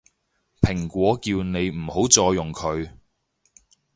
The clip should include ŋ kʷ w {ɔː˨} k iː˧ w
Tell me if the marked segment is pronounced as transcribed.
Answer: no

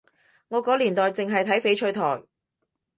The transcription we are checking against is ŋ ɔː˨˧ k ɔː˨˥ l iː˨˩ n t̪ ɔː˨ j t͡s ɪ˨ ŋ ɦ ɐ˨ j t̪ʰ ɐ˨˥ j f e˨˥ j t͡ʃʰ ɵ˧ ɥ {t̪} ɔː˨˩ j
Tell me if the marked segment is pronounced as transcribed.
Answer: no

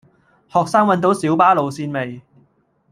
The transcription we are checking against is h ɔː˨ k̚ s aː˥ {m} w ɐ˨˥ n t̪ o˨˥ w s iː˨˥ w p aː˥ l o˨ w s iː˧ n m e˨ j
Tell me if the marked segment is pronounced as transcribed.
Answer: no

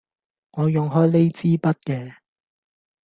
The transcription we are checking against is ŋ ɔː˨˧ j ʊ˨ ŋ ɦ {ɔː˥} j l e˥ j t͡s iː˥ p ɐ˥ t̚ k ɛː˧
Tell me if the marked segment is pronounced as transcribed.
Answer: yes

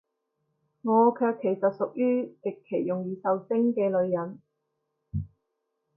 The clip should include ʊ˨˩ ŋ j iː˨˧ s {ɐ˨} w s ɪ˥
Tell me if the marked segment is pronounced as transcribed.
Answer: yes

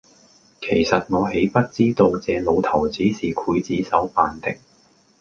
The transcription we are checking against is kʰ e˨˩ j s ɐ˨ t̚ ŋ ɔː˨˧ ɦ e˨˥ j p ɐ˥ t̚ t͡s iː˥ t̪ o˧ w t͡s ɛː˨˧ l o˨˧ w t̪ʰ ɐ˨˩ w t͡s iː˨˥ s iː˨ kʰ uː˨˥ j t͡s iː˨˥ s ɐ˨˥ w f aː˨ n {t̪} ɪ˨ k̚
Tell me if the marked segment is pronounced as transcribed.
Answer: yes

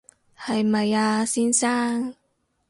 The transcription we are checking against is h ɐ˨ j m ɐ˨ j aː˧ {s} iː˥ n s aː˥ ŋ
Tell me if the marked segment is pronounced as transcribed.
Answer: yes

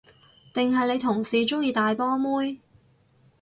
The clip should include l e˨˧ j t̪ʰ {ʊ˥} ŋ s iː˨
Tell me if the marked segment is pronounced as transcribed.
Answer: no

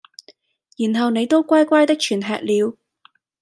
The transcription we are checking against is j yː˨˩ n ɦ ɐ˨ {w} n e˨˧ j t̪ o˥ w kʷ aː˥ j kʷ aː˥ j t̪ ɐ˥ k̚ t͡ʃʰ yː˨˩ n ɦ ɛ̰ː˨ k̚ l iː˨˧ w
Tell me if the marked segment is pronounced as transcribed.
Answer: yes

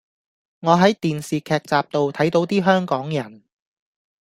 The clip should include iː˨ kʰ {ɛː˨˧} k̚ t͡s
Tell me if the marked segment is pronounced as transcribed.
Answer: yes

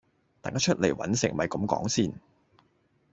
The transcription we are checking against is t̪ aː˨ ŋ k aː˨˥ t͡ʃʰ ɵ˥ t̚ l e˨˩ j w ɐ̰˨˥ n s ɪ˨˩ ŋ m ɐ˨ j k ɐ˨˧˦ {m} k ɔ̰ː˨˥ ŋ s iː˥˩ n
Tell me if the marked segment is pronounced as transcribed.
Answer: yes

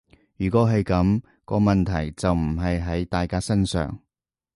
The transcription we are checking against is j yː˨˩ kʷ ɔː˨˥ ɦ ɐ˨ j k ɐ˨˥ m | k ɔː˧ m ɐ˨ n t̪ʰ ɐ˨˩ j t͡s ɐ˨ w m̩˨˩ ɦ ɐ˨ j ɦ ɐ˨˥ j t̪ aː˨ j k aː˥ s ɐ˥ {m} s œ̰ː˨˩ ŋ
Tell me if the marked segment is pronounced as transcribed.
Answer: no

